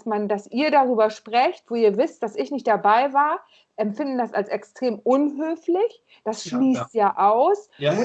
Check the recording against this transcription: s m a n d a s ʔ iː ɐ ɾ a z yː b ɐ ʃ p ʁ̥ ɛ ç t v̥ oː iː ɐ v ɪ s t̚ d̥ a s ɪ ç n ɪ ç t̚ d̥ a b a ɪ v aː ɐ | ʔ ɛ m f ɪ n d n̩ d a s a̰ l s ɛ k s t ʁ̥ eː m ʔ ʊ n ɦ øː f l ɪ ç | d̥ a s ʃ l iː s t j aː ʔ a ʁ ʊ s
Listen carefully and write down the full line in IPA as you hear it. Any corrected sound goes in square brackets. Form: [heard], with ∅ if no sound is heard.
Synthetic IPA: s m a n d a s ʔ iː ɐ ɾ a [ʁ] yː b ɐ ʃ p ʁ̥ ɛ ç t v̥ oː iː ɐ v ɪ s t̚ d̥ a s ɪ ç n ɪ ç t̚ d̥ a b a ɪ v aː ɐ | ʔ ɛ m f ɪ n d n̩ d a s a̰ l s ɛ k s t ʁ̥ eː m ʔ ʊ n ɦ øː f l ɪ ç | d̥ a s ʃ l iː s t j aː ʔ a [∅] ʊ s